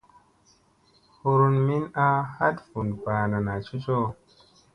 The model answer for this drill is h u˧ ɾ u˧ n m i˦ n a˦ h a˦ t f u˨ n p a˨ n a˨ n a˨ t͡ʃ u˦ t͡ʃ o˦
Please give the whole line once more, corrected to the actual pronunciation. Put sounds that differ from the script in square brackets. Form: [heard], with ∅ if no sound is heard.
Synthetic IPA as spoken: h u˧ ɾ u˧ n m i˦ n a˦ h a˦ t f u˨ n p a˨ n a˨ n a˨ t͡ʃ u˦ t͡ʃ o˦